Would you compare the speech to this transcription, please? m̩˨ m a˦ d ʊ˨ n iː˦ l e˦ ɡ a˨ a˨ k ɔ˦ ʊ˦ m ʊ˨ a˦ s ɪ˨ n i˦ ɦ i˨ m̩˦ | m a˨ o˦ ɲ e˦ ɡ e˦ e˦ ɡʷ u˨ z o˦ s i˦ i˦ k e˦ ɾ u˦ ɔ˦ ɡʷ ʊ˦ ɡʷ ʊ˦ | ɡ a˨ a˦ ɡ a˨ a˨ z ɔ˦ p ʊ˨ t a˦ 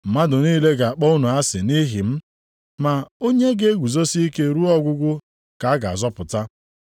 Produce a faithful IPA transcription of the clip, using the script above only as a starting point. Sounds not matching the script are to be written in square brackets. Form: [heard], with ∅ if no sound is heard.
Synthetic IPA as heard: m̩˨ m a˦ d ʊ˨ n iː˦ l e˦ ɡ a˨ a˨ [k͡p] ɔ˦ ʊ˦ [n] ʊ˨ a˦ s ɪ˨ n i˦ ɦ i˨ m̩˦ | m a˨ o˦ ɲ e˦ ɡ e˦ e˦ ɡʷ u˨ z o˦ s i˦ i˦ k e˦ ɾ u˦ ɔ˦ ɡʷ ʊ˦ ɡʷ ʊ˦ | [k] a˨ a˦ ɡ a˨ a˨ z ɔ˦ p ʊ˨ t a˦